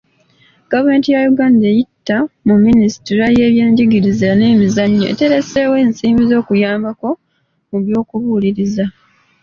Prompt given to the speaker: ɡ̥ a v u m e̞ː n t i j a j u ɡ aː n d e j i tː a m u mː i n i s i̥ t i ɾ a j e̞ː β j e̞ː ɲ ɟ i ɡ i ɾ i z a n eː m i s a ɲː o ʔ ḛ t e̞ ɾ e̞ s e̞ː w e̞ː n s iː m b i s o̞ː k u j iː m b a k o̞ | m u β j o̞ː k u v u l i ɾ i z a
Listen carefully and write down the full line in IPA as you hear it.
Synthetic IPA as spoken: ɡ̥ a v u m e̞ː n t i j a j u ɡ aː n d e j i tː a m u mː i n i s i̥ t i ɾ a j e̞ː β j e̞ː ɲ ɟ i ɡ i ɾ i z a n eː m i z a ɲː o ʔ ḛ t e̞ ɾ e̞ s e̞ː w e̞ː n s iː m b i z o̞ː k u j aː m b a k o̞ | m u β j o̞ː k u β u l i ɾ i z a